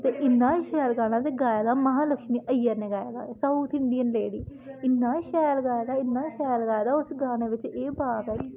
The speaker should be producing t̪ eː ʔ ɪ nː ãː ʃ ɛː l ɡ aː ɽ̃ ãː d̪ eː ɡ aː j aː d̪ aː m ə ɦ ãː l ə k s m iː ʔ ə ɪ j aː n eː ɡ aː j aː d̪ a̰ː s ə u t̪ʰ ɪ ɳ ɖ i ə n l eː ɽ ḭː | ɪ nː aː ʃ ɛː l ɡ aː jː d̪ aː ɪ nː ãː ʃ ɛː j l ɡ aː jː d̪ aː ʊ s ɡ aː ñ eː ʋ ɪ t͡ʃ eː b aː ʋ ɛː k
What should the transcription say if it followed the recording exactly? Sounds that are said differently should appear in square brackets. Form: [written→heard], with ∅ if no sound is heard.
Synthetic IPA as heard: t̪ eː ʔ ɪ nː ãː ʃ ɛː l ɡ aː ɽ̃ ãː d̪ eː ɡ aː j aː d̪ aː m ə ɦ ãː l ə k [s→ʃ] m iː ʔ ə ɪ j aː n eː ɡ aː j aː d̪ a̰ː s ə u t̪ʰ ɪ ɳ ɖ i ə n l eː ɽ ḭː | ɪ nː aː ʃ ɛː l ɡ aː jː d̪ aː ɪ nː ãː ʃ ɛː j l ɡ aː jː d̪ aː ʊ s ɡ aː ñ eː ʋ ɪ t͡ʃ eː b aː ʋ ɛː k